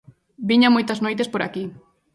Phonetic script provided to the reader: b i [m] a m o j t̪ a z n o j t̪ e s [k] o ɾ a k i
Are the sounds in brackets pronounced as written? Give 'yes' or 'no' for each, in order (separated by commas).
no, no